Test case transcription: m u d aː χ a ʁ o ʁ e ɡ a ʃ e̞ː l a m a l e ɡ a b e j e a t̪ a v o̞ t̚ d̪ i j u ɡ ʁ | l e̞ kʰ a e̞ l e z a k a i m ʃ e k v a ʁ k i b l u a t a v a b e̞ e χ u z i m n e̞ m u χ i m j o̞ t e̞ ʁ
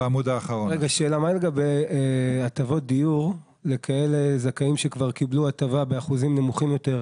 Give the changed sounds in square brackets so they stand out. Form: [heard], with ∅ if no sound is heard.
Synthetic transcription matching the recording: m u d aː χ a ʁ o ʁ e ɡ a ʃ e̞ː l a m a l e ɡ a b e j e a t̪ a v o̞ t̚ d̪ i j u [∅] ʁ | l e̞ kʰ a e̞ l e z a k a i m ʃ e k v a ʁ k i b l u a t a v a b e̞ [a] χ u z i m n e̞ m u χ i m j o̞ t e̞ ʁ